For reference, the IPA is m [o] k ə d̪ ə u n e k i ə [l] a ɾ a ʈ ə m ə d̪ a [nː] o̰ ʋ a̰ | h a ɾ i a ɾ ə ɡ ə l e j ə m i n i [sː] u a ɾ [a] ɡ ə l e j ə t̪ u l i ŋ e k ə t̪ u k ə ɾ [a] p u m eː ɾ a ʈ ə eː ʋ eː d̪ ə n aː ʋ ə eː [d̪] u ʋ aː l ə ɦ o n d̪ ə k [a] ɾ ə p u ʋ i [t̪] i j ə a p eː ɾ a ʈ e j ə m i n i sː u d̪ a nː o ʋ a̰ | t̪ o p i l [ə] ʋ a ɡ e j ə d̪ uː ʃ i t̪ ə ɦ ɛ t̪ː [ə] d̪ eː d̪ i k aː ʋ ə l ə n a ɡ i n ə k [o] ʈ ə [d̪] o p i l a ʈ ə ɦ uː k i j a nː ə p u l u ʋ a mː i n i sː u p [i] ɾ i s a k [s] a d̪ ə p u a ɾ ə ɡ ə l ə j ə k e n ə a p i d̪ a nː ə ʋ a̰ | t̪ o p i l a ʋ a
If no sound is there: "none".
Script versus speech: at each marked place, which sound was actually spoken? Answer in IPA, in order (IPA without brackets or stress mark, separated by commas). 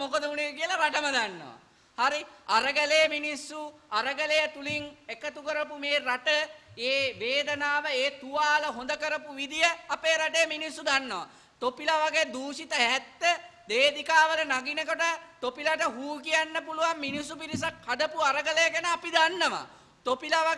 o, l, nː, sː, ə, ə, t̪, ə, d̪, a, ə, o, t̪, i, h